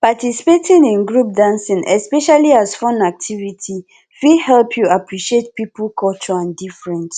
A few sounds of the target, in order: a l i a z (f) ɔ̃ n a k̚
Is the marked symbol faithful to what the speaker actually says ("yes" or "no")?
yes